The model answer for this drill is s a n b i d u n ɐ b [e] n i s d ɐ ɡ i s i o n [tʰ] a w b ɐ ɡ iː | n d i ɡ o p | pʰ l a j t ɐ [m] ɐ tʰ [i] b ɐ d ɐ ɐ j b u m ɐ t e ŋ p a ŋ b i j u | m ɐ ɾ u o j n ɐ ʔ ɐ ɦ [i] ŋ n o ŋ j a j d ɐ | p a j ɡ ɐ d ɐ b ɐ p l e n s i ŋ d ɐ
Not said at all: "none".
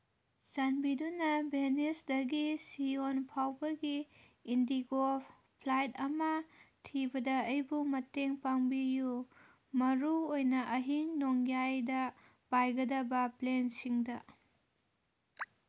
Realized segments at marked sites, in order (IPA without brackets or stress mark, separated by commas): e, pʰ, m, i, i